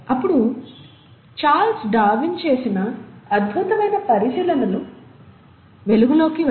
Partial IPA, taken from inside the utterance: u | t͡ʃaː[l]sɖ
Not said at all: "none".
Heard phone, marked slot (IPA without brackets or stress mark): l